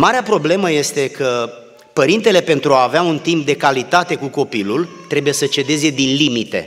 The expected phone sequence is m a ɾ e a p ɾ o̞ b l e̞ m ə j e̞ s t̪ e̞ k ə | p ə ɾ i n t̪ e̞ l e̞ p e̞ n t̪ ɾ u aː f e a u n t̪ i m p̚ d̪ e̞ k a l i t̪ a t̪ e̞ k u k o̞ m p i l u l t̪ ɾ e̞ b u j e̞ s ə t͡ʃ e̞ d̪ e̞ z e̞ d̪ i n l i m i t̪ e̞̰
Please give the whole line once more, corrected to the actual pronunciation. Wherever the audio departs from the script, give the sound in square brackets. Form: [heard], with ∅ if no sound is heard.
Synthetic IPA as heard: m a ɾ e a p ɾ o̞ b l e̞ m ə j e̞ s t̪ e̞ k ə | p ə ɾ i n t̪ e̞ l e̞ p e̞ n t̪ ɾ u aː [v] e a u n t̪ i m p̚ d̪ e̞ k a l i t̪ a t̪ e̞ k u k o̞ [∅] p i l u l t̪ ɾ e̞ b u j e̞ s ə t͡ʃ e̞ d̪ e̞ z e̞ d̪ i n l i m i t̪ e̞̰